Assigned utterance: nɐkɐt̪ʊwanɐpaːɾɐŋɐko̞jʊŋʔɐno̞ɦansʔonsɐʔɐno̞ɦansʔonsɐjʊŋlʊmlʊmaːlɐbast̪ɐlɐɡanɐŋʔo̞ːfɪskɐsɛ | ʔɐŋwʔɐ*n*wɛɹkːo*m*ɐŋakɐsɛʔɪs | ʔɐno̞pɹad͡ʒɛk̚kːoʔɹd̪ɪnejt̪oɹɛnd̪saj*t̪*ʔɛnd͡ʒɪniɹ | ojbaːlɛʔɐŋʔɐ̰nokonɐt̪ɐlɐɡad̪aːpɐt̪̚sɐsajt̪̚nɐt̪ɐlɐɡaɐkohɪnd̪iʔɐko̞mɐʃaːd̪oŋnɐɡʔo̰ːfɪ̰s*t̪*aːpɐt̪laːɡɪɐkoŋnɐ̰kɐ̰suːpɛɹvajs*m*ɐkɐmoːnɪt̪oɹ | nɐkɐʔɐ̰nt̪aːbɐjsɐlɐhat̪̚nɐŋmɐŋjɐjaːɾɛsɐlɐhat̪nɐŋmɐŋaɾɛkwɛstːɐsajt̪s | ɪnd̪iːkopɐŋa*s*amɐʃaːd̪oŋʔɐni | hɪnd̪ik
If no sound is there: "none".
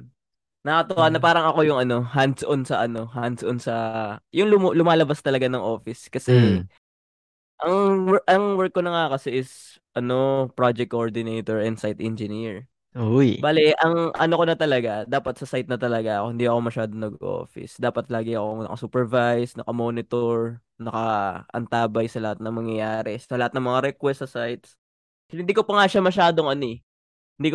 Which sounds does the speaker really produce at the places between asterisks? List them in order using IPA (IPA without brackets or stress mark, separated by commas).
ŋ, n, t̪, d̪, n, ʃ